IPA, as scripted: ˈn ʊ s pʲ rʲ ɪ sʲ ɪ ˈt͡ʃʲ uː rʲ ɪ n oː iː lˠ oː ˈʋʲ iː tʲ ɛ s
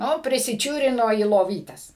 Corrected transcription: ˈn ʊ pʲ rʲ ɪ sʲ ɪ ˈt͡ʃʲ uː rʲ ɪ n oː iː lˠ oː ˈʋʲ iː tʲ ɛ s